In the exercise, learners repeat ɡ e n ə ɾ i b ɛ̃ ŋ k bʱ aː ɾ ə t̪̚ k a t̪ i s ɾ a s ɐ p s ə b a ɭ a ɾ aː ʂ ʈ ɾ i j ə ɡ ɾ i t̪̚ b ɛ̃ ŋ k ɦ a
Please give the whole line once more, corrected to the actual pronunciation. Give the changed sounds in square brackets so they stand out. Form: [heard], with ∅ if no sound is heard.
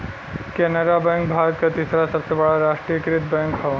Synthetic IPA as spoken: [k] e n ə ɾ [a] b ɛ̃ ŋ k bʱ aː ɾ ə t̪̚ k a t̪ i s ɾ a s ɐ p s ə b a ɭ a ɾ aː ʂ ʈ ɾ i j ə [k] ɾ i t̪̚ b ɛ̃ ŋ k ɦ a